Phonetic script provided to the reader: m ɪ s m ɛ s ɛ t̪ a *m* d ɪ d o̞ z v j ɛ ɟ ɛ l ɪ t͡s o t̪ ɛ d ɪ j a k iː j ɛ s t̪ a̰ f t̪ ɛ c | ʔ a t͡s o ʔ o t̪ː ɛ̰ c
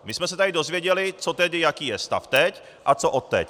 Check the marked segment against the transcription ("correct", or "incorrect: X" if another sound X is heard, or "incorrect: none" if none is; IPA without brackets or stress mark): incorrect: none